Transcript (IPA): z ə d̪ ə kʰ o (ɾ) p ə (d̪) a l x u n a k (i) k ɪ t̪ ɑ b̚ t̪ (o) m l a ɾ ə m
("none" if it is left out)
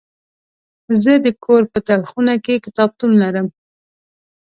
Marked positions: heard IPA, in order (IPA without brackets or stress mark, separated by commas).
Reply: ɾ, t̪, e, u